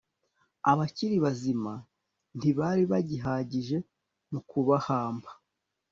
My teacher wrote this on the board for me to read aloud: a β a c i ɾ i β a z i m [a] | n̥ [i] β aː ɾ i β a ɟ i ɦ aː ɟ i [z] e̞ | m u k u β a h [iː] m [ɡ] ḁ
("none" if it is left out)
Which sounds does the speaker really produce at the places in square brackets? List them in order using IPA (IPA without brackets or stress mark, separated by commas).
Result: a, i, ʒ, aː, b